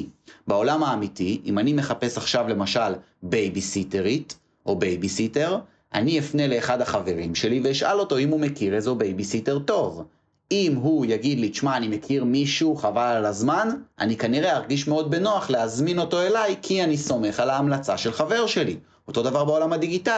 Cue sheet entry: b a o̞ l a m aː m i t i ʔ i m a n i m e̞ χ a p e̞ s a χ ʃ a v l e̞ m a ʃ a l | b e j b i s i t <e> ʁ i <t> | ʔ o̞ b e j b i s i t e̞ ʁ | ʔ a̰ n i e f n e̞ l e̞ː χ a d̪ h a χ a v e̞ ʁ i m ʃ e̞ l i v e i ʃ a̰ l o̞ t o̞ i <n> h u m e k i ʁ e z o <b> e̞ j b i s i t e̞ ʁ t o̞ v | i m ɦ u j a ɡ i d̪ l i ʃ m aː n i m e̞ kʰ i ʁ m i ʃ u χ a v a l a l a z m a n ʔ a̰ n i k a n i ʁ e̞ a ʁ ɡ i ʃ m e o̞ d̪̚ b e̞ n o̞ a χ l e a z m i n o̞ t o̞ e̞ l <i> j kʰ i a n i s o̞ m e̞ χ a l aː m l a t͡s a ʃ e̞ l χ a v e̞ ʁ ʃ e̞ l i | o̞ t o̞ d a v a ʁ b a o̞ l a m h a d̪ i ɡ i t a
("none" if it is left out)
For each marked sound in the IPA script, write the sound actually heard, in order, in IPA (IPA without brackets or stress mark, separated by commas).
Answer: e, t, m, b, a